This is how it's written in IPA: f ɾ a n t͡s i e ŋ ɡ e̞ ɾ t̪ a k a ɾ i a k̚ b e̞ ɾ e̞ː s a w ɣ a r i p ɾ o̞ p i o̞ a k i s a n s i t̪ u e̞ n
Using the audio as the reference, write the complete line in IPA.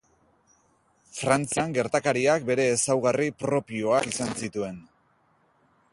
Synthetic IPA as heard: f ɾ a n t͡s i a ŋ ɡ e̞ ɾ t̪ a k a ɾ i a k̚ b e̞ ɾ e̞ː s a w ɣ a r i p ɾ o̞ p i o̞ a k i s a n s i t̪ u e̞ n

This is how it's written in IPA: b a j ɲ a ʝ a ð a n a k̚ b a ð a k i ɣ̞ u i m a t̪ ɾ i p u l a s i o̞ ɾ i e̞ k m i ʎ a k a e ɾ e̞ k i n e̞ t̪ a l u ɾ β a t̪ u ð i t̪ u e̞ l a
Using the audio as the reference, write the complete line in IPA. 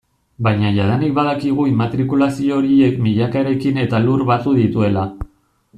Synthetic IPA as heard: b a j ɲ a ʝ a ð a n i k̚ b a ð a k i ɣ̞ u i m a t̪ ɾ i k u l a s i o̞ ɾ i e̞ k m i ʎ a k a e ɾ e̞ k i n e̞ t̪ a l u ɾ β a t̪ u ð i t̪ u e̞ l a

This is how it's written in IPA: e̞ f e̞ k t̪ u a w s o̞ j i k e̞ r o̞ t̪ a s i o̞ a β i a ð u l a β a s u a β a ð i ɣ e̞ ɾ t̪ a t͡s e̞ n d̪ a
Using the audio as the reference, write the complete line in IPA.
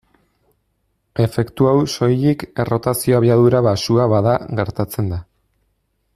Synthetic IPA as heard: e̞ f e̞ k t̪ u a w s o̞ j i k e̞ r o̞ t̪ a s i o̞ a β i a ð u ɾ a β a s u a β a ð a ɣ e̞ ɾ t̪ a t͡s e̞ n d̪ a

